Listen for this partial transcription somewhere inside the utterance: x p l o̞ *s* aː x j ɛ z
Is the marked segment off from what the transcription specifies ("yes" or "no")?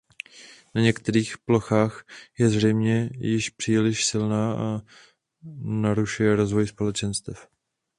yes